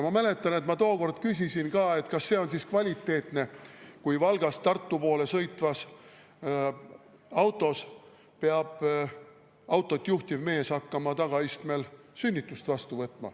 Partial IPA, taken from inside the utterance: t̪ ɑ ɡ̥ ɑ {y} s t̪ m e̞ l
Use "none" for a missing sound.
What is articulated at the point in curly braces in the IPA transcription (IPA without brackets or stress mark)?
i